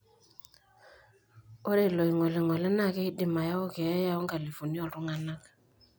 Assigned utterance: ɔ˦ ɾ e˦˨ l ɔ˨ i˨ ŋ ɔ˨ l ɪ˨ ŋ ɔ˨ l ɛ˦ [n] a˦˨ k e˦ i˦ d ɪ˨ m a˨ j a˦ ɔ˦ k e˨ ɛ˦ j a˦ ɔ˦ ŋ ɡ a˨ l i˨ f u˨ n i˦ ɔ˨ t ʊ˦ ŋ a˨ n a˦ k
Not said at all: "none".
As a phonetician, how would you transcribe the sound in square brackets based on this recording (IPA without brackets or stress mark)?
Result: n